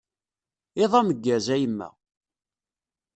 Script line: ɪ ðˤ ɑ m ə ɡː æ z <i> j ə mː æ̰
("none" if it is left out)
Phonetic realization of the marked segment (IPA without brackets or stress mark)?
æ